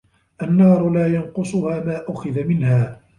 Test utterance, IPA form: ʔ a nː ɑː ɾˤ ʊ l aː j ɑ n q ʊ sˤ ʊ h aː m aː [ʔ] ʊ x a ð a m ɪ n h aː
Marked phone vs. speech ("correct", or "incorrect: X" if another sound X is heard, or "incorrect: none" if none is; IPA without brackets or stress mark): correct